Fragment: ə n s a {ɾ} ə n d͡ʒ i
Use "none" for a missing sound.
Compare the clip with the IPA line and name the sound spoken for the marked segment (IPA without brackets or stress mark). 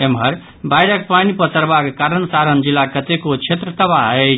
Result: ɾ